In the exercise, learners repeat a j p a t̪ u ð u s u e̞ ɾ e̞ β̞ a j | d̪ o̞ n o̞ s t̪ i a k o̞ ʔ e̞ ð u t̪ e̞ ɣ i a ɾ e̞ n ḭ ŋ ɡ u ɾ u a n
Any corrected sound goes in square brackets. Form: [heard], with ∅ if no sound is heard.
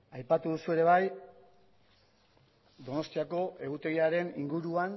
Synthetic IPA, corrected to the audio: a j p a t̪ u ð u s u e̞ ɾ e̞ β̞ a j | d̪ o̞ n o̞ s t̪ i a k o̞ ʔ e̞ [ɣ] u t̪ e̞ ɣ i a ɾ e̞ n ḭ ŋ ɡ u ɾ u a n